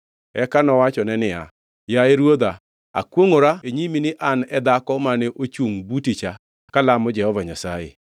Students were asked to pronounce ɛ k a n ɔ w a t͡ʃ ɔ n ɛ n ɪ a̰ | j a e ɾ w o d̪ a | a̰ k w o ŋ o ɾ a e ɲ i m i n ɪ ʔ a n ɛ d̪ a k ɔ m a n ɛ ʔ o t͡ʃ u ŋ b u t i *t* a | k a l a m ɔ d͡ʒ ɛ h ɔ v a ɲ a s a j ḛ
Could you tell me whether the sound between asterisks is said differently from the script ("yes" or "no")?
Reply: yes